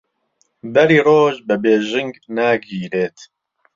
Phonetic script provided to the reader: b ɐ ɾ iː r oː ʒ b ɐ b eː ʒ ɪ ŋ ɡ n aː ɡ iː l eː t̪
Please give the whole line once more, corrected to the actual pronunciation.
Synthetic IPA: b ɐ ɾ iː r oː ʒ b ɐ b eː ʒ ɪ ŋ ɡ n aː ɡ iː ɾ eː t̪